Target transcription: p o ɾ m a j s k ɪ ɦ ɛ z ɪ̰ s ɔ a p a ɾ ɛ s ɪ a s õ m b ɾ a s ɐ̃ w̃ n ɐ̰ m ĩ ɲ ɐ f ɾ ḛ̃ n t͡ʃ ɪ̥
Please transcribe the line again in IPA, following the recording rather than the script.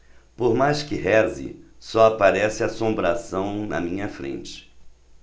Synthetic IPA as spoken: p o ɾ m a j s k ɪ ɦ ɛ z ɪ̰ s ɔ a p a ɾ ɛ s ɪ a s õ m b ɾ a s ɐ̃ w̃ n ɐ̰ m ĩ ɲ ɐ f ɾ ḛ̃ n t͡ʃ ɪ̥